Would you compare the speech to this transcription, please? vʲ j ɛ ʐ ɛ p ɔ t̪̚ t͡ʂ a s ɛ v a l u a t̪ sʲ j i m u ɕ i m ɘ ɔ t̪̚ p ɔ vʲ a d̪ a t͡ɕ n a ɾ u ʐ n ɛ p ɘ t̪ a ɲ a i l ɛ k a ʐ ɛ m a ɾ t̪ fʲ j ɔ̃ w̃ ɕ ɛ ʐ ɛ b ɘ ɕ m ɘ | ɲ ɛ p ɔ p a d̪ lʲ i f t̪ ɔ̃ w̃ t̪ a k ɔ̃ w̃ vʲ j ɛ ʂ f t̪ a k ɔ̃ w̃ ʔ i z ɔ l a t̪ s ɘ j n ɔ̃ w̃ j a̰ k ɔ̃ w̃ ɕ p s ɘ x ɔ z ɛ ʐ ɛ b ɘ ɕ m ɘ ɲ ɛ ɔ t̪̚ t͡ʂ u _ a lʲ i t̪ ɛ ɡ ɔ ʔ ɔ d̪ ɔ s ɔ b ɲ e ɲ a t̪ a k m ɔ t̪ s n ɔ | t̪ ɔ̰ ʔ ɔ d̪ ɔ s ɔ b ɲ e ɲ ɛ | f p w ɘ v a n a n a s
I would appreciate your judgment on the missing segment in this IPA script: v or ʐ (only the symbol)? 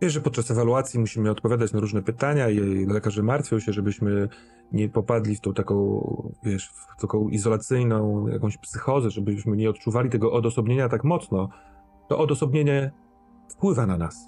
v